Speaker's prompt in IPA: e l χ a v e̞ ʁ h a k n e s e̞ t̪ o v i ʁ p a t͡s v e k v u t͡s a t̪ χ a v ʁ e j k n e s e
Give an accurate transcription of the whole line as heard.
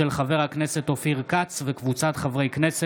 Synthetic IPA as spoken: e l χ a v e̞ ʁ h a k n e s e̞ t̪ o f i ʁ k a t͡s v e k v u t͡s a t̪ χ a v ʁ e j k n e s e